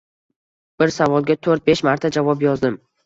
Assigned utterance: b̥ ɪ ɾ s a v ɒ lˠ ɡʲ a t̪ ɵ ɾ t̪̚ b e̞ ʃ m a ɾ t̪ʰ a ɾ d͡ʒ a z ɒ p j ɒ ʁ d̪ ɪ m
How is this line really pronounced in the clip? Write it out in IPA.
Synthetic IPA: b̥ ɪ ɾ s a v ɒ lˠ ɡʲ a t̪ʰ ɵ ɾ t̪̚ b e̞ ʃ m a ɾ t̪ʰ a d͡ʒ a v ɒ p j ɒ z d̪ ɪ m